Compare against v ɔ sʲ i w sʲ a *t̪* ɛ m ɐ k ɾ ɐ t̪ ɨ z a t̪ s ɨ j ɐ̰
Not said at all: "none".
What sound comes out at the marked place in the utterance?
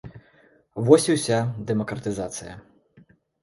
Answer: d̪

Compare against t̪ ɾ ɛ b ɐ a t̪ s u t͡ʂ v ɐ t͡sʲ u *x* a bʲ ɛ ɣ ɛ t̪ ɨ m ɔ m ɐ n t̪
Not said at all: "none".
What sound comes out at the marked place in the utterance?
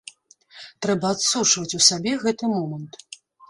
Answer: s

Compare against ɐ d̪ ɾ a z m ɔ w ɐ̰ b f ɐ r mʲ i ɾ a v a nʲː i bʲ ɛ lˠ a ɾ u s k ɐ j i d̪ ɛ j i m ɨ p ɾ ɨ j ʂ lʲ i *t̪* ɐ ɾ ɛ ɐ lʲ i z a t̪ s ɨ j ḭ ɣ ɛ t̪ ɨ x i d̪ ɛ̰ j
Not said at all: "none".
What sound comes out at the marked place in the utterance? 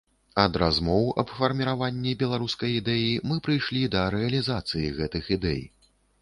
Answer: d̪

